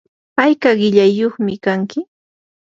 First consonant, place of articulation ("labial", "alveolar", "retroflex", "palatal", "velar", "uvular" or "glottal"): labial